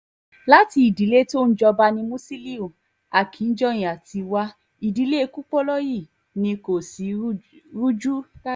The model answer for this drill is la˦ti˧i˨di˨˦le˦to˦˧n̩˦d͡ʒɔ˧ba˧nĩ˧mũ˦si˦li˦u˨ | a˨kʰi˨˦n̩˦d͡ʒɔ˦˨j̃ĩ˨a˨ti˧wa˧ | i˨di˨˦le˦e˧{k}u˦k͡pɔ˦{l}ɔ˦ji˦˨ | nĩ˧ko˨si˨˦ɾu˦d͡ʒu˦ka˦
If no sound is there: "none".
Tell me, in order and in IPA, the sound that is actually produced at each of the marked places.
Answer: k, l

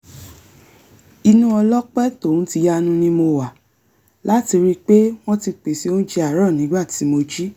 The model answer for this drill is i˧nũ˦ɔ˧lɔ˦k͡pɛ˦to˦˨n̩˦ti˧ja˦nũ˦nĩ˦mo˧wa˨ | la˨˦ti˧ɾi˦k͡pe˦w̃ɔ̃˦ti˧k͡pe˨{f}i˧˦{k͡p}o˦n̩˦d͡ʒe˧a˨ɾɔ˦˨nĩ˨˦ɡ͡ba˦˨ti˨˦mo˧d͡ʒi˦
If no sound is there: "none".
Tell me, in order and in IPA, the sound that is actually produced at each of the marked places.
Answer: s, none

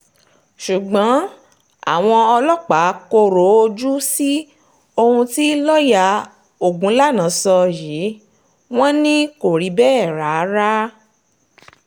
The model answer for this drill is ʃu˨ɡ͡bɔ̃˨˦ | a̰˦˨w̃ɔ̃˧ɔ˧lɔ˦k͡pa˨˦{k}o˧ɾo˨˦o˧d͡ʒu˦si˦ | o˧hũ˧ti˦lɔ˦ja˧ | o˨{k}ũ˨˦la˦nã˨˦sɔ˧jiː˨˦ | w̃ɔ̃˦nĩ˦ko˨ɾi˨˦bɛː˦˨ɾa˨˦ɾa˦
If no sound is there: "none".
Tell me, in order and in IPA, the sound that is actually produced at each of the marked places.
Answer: k, ɡ

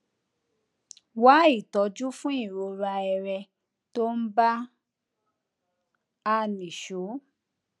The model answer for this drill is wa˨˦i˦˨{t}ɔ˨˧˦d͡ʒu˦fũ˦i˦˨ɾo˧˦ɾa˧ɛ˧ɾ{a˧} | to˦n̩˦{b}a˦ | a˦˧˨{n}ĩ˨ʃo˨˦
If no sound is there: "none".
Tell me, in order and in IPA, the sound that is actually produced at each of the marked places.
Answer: t, ɛ˧, b, n

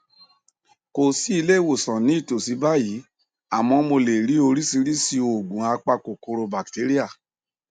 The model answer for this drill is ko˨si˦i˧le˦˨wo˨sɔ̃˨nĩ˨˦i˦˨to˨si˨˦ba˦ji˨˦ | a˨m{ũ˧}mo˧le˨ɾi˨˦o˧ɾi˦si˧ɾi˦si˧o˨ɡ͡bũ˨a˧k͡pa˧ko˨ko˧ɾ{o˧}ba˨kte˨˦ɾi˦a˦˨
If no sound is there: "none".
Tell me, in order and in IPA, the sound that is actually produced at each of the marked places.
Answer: ɔ̃˧, o˧

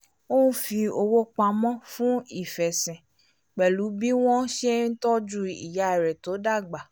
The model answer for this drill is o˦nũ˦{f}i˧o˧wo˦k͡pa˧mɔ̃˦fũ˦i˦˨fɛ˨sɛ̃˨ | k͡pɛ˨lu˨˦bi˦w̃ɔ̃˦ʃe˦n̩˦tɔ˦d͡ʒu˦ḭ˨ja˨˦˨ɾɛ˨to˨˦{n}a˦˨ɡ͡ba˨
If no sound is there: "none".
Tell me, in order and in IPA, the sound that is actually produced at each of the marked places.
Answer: f, d

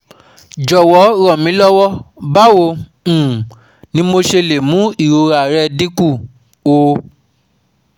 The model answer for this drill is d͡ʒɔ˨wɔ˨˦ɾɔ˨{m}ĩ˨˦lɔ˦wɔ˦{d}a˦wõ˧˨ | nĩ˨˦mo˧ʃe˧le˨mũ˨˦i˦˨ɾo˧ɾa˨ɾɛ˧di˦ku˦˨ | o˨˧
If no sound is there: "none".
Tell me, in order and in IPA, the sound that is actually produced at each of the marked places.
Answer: m, b

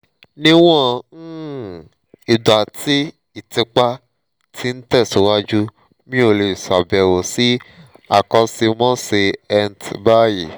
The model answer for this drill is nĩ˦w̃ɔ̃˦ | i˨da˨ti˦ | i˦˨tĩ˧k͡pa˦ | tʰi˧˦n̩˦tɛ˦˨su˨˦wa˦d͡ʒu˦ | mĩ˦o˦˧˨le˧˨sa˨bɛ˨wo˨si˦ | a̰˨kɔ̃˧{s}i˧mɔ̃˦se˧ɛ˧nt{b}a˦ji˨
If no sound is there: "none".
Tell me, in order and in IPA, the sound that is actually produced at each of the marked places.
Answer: s, b

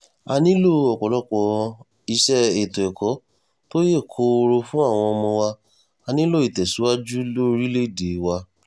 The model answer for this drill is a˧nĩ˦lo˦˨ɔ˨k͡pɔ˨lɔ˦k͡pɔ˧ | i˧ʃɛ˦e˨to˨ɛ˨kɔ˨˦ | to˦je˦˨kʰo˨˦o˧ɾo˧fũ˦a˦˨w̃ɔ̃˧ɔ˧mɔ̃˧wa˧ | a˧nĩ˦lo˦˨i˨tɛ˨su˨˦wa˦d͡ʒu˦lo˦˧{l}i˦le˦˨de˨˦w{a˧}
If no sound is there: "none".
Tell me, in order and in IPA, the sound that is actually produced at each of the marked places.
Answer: ɾ, a˧

